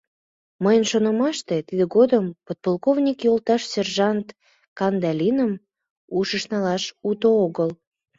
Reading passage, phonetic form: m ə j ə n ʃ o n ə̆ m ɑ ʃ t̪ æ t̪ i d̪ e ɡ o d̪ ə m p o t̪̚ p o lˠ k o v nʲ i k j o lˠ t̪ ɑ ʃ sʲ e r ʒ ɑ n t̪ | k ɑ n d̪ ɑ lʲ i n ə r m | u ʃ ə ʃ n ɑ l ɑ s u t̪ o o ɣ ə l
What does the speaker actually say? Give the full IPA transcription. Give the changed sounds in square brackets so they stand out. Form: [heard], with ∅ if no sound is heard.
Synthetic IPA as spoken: m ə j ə n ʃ o n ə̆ m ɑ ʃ t̪ [e] t̪ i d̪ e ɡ o d̪ ə m p o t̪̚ p o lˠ k o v nʲ i k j o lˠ t̪ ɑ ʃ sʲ e r ʒ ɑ n t̪ | k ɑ n d̪ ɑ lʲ i n ə [∅] m | u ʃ ə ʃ n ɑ l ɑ [ʃ] u t̪ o o ɣ ə l